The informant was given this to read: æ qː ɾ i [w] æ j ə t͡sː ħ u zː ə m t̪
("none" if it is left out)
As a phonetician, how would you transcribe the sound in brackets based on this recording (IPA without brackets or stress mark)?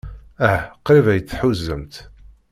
v